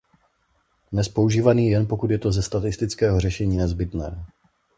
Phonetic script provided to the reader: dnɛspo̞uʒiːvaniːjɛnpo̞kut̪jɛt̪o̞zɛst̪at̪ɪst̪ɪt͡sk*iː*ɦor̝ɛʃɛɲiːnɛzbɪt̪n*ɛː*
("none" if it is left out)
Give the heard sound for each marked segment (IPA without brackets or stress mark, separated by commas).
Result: ɛː, ɛː